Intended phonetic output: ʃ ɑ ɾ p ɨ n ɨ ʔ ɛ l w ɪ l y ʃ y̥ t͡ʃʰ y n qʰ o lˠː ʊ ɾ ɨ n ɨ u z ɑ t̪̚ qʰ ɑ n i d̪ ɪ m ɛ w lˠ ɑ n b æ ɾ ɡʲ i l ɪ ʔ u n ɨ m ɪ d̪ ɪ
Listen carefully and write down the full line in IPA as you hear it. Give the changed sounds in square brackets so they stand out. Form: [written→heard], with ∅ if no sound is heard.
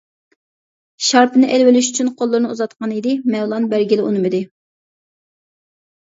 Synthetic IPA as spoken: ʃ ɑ ɾ p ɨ n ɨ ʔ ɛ l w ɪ l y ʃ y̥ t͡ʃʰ y n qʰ o lˠː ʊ ɾ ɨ n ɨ u z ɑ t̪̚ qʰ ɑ n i d̪ ɪ m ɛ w lˠ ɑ n b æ ɾ ɡʲ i l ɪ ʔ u n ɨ m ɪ d̪ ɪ